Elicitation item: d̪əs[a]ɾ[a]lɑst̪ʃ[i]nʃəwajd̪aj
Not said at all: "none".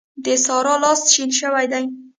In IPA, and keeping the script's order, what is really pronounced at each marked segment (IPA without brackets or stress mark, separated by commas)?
ɑ, ɑ, i